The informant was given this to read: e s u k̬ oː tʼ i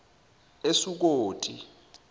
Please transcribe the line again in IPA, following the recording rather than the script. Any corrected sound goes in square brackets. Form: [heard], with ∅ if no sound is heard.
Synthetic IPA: e s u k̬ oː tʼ i